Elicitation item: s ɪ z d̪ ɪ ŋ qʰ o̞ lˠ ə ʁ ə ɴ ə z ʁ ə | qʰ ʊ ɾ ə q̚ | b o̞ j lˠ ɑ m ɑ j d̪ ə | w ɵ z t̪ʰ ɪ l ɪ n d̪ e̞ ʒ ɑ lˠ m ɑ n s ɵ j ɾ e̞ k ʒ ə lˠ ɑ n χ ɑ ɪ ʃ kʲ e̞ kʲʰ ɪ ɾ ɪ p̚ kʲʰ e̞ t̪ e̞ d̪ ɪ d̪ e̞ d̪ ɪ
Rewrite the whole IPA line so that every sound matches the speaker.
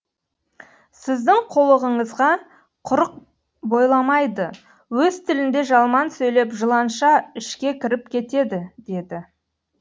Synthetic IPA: s ɪ z d̪ ɪ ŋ qʰ o̞ lˠ ə ʁ ə ɴ ə z ʁ ɑ | qʰ ʊ ɾ ə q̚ | b o̞ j lˠ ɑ m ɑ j d̪ ə | w ɵ z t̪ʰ ɪ l ɪ n d̪ e̞ ʒ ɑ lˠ m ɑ n s ɵ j l e̞ p ʒ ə lˠ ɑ n ʃ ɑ ɪ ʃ kʲ e̞ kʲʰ ɪ ɾ ɪ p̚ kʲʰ e̞ t̪ e̞ d̪ ɪ d̪ e̞ d̪ ɪ